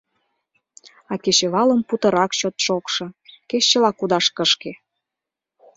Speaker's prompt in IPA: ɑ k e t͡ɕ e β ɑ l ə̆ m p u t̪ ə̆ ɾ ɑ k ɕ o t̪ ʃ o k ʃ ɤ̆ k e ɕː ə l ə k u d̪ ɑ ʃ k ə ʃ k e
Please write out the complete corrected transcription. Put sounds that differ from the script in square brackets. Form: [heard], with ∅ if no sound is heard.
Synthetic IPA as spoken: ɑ k e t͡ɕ e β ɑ l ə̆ m p u t̪ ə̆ ɾ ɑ k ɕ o t̪ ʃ o k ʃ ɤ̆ k e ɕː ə l [ɑ] k u d̪ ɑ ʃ k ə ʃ k e